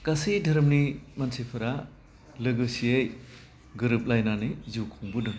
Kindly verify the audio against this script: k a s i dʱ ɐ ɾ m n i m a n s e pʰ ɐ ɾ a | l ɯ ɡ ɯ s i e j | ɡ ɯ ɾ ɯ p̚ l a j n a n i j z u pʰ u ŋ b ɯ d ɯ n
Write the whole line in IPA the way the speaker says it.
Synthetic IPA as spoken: k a s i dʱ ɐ ɾ m n i m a n s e pʰ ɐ ɾ a | l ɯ ɡ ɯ s i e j | ɡ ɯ ɾ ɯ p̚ l a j n a n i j z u kʰ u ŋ b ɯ d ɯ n